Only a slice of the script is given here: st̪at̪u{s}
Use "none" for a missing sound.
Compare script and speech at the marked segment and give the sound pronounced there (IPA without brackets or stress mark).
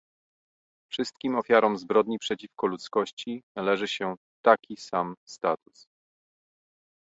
s